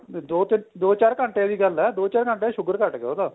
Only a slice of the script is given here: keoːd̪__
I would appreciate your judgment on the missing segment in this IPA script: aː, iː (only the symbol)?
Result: aː